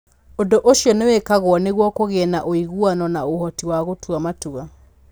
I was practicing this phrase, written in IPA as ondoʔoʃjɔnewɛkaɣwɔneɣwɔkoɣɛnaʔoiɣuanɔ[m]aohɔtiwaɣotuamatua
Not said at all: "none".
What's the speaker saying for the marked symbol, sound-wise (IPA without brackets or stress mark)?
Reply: n